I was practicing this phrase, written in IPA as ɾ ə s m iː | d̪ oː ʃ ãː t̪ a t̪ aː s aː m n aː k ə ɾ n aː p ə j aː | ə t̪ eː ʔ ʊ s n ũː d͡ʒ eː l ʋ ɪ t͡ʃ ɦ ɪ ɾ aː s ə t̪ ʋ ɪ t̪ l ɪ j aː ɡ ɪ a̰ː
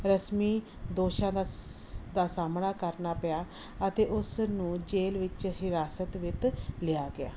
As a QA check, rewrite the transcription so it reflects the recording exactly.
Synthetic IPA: ɾ ə s m iː | d̪ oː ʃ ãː d̪ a d̪ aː s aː m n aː k ə ɾ n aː p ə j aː | ə t̪ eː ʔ ʊ s n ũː d͡ʒ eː l ʋ ɪ t͡ʃ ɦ ɪ ɾ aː s ə t̪ ʋ ɪ t̪ l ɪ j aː ɡ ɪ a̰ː

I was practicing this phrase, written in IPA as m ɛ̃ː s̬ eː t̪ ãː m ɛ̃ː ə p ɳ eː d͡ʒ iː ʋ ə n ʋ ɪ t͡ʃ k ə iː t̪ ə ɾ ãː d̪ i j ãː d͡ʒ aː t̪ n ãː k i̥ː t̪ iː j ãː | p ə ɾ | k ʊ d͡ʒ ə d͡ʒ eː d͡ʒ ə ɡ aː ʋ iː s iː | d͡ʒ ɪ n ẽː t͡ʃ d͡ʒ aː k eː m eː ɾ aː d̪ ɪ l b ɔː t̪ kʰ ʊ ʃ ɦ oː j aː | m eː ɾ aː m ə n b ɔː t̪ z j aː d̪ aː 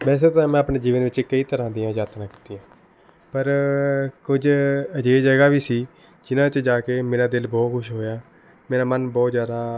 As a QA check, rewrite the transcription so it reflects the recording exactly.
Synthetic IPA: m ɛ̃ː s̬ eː t̪ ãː m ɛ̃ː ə p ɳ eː d͡ʒ iː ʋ ə n ʋ ɪ t͡ʃ k ə iː t̪ ə ɾ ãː d̪ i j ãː d͡ʒ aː t̪ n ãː k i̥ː t̪ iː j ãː | p ə ɾ | k ʊ d͡ʒ ə d͡ʒ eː d͡ʒ ə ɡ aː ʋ iː s iː | d͡ʒ ɪ n ãː t͡ʃ d͡ʒ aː k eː m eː ɾ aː d̪ ɪ l b ɔː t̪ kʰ ʊ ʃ ɦ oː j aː | m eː ɾ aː m ə n b ɔː t̪ z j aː d̪ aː

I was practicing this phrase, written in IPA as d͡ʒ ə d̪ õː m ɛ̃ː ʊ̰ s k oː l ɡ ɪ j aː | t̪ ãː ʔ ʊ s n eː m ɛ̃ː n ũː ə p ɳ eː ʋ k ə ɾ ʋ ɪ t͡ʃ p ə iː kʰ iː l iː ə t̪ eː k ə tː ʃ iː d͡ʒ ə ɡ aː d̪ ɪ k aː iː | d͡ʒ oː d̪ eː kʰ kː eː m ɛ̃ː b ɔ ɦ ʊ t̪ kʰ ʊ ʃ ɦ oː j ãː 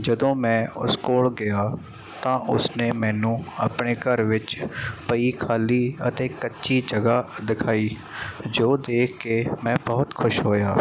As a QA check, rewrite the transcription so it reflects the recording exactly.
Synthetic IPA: d͡ʒ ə d̪ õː m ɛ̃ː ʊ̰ s k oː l ɡ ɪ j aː | t̪ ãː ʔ ʊ s n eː m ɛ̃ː n ũː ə p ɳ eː k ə ɾ ʋ ɪ t͡ʃ p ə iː kʰ aː l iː ə t̪ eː k ə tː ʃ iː d͡ʒ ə ɡ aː d̪ ɪ kʰ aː iː | d͡ʒ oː d̪ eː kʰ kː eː m ɛ̃ː b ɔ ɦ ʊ t̪ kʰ ʊ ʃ ɦ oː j aː

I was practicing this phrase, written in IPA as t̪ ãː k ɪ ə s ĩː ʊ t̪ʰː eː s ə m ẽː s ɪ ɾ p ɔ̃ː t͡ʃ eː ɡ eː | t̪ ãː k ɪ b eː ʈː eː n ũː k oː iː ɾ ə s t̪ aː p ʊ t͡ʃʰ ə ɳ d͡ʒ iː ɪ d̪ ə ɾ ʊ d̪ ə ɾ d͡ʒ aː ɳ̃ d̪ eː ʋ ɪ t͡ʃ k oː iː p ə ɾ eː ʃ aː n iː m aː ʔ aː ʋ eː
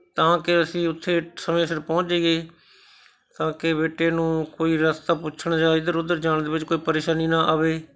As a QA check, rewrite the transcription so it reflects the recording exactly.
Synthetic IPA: t̪ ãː k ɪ ə s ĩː ʊ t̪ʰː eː s ə m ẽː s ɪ ɾ p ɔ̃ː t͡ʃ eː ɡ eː | t̪ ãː k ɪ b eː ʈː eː n ũː k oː iː ɾ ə s t̪ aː p ʊ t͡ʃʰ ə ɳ d͡ʒ aː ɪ d̪ ə ɾ ʊ d̪ ə ɾ d͡ʒ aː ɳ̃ d̪ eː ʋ ɪ t͡ʃ k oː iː p ə ɾ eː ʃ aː n iː n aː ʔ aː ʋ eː

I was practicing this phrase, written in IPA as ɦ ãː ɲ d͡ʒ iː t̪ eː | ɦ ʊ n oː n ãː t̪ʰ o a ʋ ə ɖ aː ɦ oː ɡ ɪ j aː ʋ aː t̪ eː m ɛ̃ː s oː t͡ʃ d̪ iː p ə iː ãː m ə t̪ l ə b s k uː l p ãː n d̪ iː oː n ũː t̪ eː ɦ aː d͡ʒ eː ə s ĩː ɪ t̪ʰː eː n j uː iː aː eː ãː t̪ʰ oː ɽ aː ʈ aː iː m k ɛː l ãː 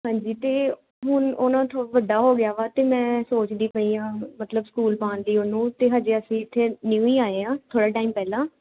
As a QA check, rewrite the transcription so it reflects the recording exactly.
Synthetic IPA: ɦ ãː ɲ d͡ʒ iː t̪ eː | ɦ ʊ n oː n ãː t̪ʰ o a ʋ ə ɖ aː ɦ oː ɡ ɪ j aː ʋ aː t̪ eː m ɛ̃ː s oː t͡ʃ d̪ iː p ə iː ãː m ə t̪ l ə b s k uː l p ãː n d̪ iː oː n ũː t̪ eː ɦ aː d͡ʒ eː ə s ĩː ɪ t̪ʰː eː n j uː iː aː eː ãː t̪ʰ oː ɽ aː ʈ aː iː m p ɛː l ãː

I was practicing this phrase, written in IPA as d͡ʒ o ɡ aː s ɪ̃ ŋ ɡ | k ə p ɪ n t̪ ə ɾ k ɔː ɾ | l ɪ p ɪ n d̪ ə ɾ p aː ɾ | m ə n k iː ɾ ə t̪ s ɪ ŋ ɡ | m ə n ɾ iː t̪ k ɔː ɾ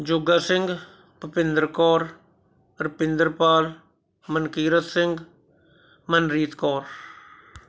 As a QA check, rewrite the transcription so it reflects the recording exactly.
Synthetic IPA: d͡ʒ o ɡ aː s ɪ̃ ŋ ɡ | p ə p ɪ n d̪ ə ɾ k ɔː ɾ | ɾ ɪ p ɪ n d̪ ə ɾ p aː l | m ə n k iː ɾ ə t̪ s ɪ ŋ ɡ | m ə n ɾ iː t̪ k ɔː ɾ

